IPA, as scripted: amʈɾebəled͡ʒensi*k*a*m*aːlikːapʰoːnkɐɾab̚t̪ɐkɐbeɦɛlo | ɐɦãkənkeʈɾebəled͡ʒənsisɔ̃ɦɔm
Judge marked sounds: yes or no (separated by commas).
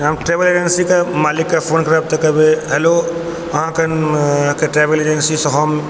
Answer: yes, yes